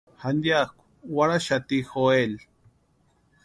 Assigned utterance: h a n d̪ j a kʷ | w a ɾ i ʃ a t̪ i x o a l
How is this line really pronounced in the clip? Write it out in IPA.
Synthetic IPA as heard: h a n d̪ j a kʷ | w a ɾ a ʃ a t̪ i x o e l